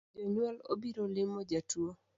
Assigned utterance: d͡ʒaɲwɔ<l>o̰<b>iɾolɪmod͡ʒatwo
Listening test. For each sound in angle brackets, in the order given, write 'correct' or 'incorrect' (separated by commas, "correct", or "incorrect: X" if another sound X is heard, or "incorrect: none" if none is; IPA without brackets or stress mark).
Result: correct, correct